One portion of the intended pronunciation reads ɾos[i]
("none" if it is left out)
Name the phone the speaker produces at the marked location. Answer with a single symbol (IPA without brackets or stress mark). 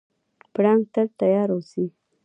i